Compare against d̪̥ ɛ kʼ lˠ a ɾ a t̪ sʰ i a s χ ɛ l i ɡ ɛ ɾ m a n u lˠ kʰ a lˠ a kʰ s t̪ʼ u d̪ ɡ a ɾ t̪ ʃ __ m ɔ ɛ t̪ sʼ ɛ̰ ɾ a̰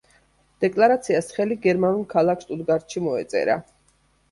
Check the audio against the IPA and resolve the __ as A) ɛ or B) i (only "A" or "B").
B